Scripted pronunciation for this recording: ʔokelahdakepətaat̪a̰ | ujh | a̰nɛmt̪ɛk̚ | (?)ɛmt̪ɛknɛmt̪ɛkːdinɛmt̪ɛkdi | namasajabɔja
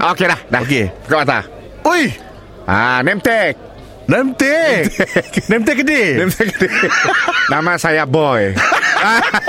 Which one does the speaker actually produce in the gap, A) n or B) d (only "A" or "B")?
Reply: A